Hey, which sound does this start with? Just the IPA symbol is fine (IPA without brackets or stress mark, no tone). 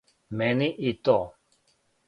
m